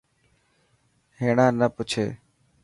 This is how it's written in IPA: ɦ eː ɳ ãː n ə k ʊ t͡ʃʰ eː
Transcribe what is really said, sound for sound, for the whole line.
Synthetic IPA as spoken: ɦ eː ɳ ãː n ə p ʊ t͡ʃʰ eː